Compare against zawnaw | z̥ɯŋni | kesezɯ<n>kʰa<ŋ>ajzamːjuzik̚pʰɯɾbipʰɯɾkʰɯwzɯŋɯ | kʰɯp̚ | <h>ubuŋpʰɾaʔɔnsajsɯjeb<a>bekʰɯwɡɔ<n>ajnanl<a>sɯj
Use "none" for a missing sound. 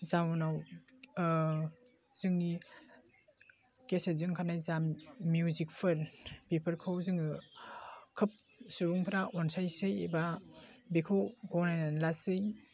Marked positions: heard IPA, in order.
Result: ŋ, n, s, a, n, a

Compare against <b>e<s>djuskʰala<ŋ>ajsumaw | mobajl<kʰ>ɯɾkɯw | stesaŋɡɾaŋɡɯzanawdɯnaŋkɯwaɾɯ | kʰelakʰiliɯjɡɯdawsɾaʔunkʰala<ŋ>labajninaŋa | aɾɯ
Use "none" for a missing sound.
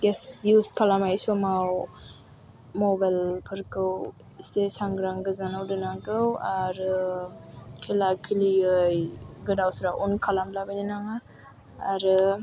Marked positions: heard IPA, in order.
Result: ɡ, s, m, pʰ, m

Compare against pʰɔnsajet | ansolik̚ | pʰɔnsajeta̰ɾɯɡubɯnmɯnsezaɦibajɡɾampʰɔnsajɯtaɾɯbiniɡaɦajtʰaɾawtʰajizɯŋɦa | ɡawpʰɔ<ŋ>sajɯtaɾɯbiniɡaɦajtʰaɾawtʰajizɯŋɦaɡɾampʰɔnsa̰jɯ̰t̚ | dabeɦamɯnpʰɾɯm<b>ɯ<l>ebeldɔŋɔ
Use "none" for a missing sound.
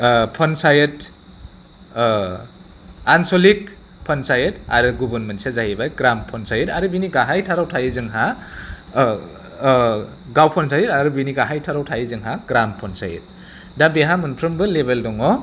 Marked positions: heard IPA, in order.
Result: n, b, l

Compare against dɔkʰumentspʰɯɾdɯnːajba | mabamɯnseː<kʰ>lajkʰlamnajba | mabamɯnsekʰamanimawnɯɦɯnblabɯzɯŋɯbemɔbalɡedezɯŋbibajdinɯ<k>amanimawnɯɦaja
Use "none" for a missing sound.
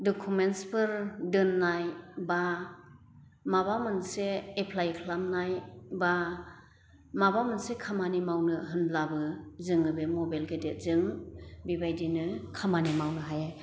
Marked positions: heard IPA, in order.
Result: pʰ, kʰ

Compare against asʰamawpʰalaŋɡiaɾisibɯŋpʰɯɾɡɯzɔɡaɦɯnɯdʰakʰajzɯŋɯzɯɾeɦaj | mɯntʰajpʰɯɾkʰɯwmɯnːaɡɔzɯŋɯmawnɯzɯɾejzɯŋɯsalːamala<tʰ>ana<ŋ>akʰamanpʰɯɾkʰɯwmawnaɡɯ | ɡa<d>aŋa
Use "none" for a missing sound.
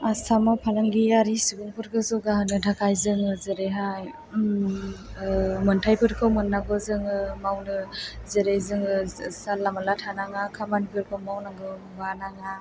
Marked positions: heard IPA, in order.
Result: tʰ, ŋ, n

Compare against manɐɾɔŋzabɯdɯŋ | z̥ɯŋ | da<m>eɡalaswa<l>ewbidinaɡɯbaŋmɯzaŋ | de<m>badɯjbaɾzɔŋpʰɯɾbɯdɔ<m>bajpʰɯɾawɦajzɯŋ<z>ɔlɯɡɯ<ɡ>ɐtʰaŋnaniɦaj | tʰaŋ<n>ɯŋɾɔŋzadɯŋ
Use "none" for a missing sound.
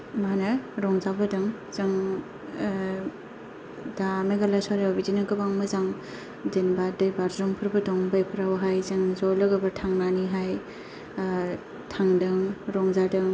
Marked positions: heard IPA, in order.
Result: m, ɾ, n, ŋ, z, b, d

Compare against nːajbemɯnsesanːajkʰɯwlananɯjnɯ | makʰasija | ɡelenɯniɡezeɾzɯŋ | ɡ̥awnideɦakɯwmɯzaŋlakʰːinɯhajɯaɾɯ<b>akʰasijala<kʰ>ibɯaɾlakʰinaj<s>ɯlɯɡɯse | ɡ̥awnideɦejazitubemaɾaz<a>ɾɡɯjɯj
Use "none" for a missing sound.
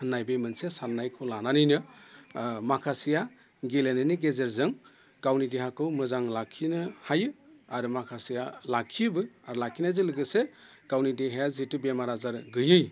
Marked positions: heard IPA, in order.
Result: m, kʰ, z, a

